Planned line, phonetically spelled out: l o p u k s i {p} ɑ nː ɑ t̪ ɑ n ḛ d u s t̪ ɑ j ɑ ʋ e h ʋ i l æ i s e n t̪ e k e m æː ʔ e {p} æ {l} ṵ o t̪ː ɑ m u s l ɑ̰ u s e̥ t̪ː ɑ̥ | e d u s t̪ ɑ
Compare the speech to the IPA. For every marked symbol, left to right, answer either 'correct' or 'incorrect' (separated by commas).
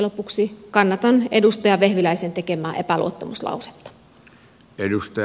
incorrect, correct, correct